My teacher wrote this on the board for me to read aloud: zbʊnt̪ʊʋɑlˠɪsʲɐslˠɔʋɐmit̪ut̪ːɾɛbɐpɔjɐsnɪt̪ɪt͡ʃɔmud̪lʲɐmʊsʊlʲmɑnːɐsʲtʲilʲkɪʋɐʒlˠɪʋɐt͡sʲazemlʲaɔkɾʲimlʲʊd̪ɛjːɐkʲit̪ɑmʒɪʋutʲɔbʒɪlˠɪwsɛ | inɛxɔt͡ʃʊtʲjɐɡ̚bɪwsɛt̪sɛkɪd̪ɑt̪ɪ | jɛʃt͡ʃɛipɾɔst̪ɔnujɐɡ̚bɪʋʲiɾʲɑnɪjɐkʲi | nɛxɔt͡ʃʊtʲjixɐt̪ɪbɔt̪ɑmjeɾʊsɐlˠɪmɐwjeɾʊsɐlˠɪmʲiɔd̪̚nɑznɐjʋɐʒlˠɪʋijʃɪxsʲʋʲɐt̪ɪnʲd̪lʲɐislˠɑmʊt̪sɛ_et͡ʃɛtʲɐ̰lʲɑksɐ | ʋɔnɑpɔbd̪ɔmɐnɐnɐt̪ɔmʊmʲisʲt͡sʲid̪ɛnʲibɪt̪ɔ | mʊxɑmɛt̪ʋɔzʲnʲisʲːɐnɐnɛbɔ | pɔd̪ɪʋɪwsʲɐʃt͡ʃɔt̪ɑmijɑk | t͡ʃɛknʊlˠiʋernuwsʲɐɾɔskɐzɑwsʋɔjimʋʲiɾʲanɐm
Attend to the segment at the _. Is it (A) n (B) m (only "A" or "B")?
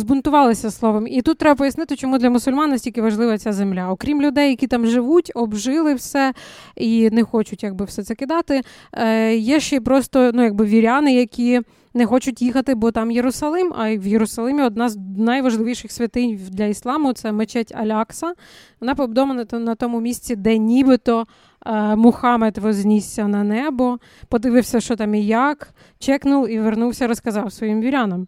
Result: B